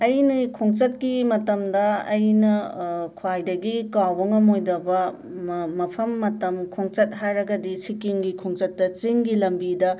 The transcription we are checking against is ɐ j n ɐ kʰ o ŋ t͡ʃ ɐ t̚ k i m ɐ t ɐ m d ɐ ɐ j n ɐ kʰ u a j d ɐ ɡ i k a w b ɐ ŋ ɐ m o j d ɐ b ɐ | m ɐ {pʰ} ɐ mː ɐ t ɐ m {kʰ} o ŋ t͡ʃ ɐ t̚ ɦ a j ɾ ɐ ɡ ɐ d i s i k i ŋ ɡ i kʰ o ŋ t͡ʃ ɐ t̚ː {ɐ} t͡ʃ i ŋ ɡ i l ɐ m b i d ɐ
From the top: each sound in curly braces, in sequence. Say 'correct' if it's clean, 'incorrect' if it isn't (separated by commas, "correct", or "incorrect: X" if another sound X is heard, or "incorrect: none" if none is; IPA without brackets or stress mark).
correct, correct, correct